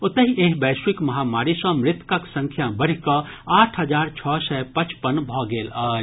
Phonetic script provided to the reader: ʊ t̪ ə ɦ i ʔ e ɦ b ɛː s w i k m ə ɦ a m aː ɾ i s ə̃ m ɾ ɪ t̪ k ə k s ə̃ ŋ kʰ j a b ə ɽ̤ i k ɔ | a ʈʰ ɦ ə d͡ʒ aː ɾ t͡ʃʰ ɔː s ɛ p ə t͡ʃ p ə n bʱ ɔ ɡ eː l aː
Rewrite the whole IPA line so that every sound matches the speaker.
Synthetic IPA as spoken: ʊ t̪ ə ɦ i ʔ e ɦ b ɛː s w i k m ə ɦ a m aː ɾ i s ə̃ m ɾ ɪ t̪ k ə k s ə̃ ŋ kʰ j a b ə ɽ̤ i k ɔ | a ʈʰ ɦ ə d͡ʒ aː ɾ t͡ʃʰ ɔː s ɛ p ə t͡ʃ p ə n bʱ ɔ ɡ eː l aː

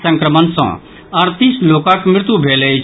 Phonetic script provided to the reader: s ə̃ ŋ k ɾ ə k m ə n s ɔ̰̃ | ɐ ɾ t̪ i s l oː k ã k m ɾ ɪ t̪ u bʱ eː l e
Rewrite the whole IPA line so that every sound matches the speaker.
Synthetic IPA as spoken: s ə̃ ŋ k ɾ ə m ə n s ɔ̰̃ | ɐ ɾ t̪ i s l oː k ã k m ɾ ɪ t̪ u bʱ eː l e

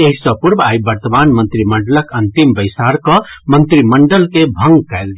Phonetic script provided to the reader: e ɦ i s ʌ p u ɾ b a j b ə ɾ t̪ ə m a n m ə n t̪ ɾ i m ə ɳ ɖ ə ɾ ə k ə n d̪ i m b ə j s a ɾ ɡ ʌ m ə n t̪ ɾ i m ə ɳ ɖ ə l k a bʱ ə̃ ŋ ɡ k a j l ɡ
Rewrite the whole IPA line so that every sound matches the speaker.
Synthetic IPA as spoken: e ɦ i s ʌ p u ɾ b a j b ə ɾ t̪ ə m a n m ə n t̪ ɾ i m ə ɳ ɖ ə l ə k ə n t̪ i m b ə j s a ɾ k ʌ m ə n t̪ ɾ i m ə ɳ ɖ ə l k e bʱ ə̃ ŋ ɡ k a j l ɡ

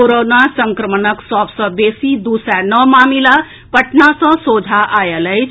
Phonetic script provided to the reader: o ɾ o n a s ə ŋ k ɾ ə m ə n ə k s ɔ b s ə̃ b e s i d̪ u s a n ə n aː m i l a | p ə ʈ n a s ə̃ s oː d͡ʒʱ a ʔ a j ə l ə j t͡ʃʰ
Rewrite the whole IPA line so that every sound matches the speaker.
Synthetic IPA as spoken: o ɾ o n a s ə ŋ k ɾ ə m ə n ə k s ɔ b s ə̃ b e s i d̪ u s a n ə m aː m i l a | p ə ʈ n a s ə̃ s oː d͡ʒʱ a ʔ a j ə l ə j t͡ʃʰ

